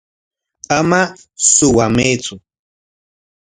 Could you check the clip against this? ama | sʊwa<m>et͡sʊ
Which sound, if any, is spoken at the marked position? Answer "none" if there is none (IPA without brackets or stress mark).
m